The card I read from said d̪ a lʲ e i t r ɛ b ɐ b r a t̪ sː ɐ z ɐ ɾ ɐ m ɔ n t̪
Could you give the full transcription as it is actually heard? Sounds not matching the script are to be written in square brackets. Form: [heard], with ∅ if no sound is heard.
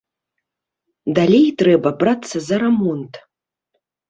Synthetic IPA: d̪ a lʲ e [j] t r ɛ b ɐ b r a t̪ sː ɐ z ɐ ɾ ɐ m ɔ n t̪